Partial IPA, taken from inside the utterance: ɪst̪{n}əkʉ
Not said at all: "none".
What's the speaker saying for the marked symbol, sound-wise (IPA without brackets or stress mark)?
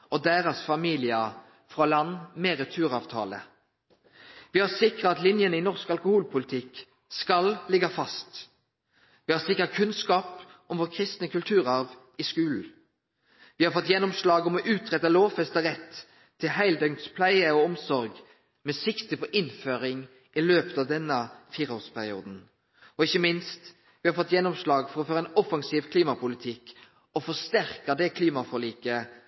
n